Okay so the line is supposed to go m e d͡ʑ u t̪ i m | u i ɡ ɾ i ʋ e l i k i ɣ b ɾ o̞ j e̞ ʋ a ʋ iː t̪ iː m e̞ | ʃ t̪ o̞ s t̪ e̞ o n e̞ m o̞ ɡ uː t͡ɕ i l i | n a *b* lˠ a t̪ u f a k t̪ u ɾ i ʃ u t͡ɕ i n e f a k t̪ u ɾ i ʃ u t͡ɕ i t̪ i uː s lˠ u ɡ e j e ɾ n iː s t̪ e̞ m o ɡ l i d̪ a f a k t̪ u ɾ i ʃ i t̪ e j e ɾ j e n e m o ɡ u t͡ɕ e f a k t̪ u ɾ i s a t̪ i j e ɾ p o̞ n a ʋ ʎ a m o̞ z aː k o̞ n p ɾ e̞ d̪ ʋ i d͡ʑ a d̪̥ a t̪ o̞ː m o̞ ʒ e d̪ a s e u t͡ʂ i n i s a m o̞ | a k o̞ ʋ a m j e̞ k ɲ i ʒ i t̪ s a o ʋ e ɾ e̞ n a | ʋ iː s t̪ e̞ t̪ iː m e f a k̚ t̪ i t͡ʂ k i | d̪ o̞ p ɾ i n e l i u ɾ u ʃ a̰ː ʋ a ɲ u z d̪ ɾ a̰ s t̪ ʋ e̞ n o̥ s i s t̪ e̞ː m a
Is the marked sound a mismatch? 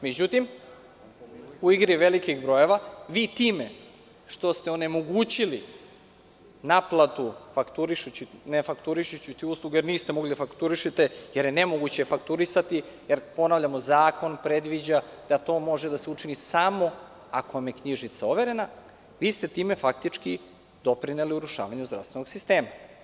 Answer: yes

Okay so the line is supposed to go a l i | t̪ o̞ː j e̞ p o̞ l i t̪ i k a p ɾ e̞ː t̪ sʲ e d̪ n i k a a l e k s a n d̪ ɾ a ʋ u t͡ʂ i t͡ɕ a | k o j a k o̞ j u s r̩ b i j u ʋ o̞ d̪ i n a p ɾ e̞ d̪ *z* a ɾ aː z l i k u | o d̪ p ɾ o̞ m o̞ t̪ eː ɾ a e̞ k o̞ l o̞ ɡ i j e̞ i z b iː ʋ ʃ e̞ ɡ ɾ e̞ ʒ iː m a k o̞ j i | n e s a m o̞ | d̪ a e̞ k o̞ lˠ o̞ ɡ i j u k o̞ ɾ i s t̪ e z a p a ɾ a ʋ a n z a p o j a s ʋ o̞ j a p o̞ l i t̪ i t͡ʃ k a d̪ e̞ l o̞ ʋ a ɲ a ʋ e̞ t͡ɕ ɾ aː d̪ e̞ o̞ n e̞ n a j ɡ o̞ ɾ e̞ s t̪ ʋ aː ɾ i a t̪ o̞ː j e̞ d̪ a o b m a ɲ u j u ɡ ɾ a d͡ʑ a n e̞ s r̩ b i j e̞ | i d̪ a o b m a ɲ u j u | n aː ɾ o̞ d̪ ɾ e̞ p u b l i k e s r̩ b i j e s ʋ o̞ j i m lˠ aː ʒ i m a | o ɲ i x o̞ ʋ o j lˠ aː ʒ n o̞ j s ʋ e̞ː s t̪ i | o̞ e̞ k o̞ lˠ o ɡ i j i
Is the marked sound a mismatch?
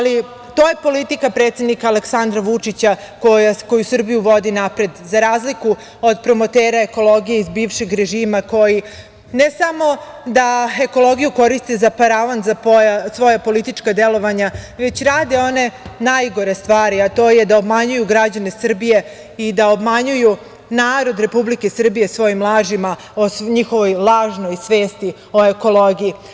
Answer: no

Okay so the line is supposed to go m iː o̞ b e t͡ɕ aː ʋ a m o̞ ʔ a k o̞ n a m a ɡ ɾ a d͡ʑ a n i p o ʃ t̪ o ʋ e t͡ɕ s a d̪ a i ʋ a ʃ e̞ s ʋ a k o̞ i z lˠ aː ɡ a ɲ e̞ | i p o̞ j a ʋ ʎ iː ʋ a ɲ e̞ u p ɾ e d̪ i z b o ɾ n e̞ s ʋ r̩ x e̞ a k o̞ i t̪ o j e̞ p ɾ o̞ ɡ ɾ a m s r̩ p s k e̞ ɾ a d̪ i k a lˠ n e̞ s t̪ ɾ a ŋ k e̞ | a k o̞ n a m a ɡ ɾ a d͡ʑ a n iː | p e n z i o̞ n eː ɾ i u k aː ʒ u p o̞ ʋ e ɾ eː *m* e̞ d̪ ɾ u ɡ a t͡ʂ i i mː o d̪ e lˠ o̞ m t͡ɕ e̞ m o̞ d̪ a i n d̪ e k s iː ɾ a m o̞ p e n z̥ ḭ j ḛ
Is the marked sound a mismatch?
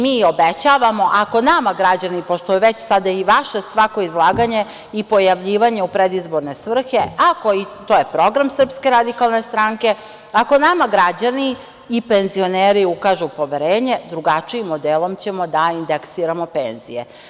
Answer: yes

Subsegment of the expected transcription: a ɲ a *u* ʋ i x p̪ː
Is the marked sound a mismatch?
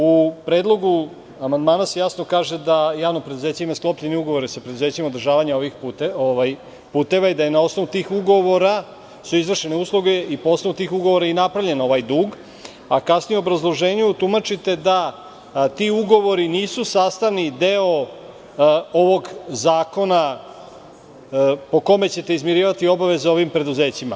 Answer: yes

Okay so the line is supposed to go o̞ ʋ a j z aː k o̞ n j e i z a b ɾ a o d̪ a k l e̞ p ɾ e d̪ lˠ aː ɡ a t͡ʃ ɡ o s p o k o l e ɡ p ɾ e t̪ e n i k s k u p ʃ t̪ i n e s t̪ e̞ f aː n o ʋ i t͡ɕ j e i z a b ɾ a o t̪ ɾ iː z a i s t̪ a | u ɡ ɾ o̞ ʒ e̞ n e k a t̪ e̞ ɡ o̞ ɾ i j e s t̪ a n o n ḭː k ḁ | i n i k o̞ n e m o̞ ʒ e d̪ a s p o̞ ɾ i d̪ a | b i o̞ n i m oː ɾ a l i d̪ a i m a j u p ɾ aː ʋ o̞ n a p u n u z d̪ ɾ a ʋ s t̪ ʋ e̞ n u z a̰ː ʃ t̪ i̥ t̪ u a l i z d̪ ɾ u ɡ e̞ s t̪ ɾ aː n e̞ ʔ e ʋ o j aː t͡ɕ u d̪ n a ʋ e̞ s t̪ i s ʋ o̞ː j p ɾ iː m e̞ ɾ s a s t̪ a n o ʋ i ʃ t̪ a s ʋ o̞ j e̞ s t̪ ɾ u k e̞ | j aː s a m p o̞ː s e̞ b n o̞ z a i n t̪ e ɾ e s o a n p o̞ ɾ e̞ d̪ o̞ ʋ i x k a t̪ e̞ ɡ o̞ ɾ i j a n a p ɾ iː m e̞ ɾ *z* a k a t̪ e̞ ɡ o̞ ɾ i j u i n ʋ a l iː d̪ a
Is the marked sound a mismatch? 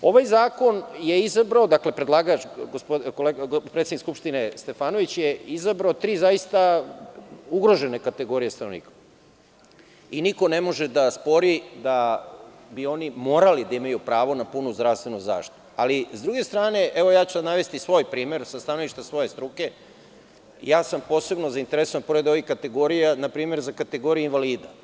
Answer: no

